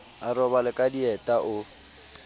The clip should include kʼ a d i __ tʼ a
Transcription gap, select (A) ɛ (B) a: A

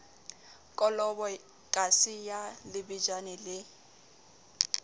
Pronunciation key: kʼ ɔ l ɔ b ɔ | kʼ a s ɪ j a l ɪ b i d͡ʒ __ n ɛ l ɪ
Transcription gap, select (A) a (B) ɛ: A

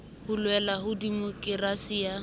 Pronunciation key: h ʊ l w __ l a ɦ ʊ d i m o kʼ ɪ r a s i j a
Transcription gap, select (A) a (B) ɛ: B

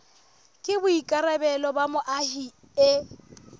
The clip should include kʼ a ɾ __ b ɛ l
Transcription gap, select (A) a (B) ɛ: B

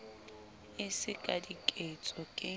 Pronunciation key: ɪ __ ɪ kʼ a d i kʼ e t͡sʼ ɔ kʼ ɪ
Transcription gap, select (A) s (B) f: A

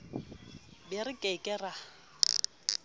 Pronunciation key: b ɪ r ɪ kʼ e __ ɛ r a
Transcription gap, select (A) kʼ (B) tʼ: A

